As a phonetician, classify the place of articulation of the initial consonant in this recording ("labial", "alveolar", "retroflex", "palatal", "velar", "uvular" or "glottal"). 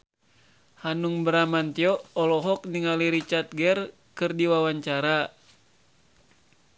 glottal